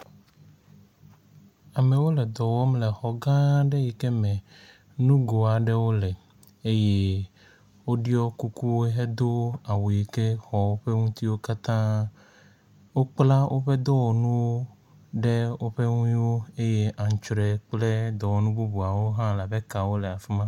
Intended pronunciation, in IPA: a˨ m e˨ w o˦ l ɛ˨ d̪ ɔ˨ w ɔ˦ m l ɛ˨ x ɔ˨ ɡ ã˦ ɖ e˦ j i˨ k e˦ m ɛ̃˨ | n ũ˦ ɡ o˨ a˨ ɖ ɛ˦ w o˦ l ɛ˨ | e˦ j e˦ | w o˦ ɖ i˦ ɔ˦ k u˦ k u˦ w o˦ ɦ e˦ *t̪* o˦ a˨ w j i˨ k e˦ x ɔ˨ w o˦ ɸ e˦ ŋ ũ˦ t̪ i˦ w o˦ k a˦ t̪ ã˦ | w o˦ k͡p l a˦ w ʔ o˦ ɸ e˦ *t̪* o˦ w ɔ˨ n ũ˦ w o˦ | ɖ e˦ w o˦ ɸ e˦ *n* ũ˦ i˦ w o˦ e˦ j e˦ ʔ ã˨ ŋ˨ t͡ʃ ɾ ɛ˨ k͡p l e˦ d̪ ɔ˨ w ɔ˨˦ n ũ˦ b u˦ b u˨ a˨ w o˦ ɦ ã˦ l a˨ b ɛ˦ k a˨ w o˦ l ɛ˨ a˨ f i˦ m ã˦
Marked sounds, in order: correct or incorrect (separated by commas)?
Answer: incorrect, incorrect, incorrect